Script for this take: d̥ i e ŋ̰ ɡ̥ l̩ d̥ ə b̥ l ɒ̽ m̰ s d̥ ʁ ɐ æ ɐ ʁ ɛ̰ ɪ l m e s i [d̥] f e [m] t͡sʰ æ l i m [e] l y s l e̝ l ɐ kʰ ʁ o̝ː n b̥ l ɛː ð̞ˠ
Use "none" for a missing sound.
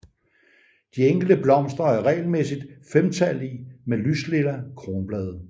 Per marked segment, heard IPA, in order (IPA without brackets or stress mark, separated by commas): d̥, m, e